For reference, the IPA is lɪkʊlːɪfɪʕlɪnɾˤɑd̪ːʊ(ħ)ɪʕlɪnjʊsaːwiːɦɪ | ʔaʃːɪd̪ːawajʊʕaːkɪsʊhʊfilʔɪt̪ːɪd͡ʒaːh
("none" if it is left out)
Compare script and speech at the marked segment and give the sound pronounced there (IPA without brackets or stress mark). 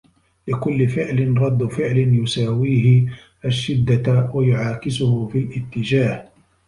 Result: f